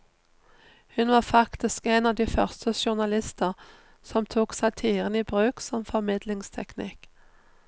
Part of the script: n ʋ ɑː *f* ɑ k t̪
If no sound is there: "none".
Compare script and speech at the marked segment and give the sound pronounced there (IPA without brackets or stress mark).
f